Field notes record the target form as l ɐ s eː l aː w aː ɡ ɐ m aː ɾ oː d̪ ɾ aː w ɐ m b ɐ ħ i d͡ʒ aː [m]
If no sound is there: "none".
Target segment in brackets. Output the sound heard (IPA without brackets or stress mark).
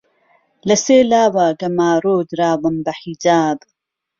b